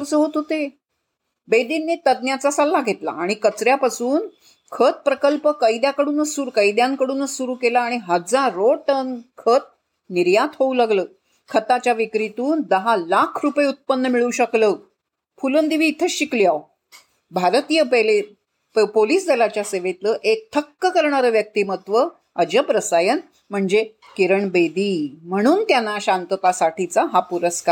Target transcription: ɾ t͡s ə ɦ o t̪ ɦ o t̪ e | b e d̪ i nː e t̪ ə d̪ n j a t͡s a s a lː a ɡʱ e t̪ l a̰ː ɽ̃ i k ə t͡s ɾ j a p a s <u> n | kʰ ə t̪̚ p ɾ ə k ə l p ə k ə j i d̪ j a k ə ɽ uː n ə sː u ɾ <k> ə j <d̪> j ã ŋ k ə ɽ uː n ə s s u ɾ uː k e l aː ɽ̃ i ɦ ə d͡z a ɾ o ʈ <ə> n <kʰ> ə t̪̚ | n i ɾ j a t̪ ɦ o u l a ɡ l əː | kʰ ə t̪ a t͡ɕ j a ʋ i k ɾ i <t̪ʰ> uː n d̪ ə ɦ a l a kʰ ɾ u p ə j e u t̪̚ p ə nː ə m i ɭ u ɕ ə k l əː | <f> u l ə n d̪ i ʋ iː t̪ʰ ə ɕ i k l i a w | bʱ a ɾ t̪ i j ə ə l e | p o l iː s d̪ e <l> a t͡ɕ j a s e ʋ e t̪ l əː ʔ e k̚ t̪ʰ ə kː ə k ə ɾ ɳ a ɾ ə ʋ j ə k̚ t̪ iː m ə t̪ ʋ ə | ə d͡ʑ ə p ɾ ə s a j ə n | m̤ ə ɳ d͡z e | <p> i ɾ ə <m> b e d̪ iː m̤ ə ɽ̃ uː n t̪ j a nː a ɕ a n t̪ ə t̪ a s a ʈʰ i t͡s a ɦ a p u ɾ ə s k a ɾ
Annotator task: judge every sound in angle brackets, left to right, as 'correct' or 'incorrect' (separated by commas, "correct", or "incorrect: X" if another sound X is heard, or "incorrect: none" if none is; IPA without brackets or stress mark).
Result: incorrect: uː, correct, correct, correct, correct, incorrect: t̪, correct, correct, incorrect: k, incorrect: ɳ